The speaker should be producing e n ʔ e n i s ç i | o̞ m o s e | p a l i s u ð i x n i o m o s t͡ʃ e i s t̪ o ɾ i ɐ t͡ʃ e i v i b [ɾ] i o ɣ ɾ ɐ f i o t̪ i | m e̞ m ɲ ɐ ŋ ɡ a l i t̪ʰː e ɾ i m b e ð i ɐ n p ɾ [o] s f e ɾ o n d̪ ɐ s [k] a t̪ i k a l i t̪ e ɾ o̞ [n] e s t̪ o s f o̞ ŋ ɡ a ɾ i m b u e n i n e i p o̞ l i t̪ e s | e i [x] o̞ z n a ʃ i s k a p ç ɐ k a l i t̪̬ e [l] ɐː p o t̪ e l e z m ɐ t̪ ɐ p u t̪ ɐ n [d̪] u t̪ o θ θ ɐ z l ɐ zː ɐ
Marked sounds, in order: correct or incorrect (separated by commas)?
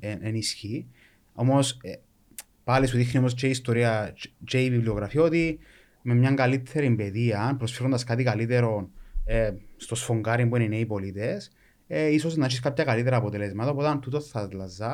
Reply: incorrect, correct, correct, correct, incorrect, incorrect, incorrect